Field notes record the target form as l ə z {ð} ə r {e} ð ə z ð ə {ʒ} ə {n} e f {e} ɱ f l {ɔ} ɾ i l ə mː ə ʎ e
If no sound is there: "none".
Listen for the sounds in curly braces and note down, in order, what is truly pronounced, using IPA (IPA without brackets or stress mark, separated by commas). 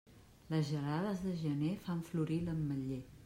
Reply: ʒ, a, ʒ, n, a, u